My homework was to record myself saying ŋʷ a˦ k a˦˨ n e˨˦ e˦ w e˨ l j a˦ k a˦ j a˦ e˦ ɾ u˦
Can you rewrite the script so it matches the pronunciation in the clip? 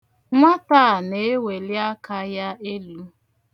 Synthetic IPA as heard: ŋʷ a˦ t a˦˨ n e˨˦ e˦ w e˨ l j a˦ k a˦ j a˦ e˦ l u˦